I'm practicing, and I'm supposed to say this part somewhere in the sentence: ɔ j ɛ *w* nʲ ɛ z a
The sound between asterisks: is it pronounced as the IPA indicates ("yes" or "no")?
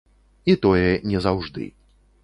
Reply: no